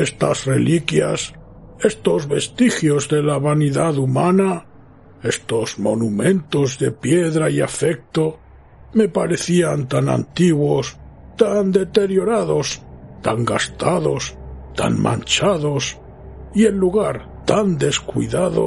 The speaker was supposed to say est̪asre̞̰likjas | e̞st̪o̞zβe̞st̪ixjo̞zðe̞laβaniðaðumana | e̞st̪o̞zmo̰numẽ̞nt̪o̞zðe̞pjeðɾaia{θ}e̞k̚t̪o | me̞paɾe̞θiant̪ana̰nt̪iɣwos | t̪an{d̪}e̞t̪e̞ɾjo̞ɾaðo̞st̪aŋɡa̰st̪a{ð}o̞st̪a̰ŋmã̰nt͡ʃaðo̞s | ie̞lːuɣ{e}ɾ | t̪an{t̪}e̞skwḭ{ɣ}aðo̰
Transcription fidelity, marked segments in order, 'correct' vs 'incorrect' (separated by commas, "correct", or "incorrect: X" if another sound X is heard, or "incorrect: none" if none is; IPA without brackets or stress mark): incorrect: f, correct, correct, incorrect: a, incorrect: d̪, incorrect: ð